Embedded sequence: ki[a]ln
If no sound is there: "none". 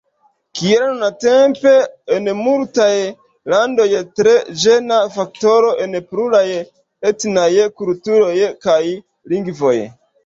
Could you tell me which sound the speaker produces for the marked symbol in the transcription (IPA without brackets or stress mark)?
e